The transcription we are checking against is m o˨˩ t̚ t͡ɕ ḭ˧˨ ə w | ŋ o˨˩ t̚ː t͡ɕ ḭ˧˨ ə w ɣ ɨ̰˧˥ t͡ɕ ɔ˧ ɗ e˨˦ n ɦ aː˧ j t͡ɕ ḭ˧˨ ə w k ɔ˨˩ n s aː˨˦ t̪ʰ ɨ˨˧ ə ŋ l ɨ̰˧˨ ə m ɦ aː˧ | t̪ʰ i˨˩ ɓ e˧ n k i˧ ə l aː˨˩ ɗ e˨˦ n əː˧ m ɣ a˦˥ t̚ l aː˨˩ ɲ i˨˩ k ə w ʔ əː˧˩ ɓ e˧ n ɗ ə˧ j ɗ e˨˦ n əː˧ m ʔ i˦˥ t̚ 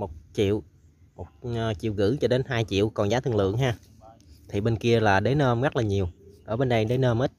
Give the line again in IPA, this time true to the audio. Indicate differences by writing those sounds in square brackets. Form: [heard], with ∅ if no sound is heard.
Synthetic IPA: m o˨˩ t̚ t͡ɕ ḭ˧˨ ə w | [m] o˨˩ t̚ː t͡ɕ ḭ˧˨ ə w ɣ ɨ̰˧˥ t͡ɕ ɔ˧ ɗ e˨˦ n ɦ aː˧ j t͡ɕ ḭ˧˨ ə w k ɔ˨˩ n [z] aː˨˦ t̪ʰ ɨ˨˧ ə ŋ l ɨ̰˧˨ ə [ŋ] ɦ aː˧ | t̪ʰ i˨˩ ɓ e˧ n k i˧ ə l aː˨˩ ɗ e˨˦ n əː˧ m ɣ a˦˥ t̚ l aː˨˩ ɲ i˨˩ [∅] ə w ʔ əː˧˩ ɓ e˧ n ɗ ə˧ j ɗ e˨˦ n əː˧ m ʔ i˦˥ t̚